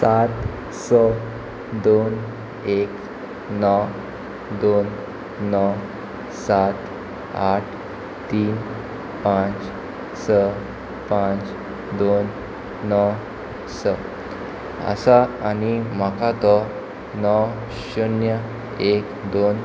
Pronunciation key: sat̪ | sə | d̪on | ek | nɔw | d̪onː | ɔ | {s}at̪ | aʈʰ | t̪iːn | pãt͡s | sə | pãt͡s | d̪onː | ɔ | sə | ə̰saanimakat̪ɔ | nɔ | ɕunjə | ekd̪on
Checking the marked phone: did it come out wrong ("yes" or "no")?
no